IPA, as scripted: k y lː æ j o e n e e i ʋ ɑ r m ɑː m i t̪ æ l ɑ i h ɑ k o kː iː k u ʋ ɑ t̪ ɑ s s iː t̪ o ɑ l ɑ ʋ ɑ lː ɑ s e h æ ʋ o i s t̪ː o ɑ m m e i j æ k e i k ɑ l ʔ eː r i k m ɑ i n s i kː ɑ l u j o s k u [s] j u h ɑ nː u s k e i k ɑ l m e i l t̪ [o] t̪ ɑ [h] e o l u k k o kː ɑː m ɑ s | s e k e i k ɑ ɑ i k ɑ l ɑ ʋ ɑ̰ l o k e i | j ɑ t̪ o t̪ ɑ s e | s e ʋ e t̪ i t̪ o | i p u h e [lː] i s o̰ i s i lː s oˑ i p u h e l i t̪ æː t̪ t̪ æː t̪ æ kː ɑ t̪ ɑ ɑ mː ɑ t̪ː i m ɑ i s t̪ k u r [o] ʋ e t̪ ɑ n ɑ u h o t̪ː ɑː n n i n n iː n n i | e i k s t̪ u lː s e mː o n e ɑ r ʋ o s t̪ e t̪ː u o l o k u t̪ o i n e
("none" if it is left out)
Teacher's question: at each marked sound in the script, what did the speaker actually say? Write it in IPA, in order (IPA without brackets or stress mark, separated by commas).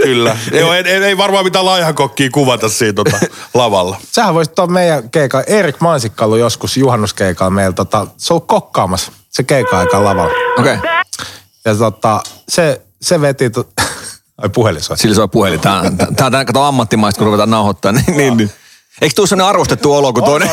s, o, s, l, u